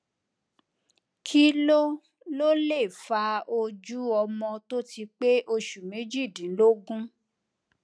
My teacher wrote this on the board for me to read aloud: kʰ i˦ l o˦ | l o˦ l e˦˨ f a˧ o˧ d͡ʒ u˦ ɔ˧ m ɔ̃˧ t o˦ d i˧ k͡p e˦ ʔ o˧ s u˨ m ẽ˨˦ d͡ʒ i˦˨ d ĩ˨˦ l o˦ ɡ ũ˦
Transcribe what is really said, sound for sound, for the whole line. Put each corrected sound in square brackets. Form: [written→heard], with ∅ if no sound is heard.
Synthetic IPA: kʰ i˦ l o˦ | l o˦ l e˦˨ f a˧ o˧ d͡ʒ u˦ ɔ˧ m ɔ̃˧ t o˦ [d→t] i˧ k͡p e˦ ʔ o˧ [s→ʃ] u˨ m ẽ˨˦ d͡ʒ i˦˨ d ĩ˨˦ l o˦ ɡ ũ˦